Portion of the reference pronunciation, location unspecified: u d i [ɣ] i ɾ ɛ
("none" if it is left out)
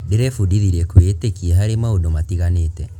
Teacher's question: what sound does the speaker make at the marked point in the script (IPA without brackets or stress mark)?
ð